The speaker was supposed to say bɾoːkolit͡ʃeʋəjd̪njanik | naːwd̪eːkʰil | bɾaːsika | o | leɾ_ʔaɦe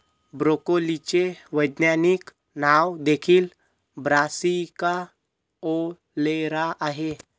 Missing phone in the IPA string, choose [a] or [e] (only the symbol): a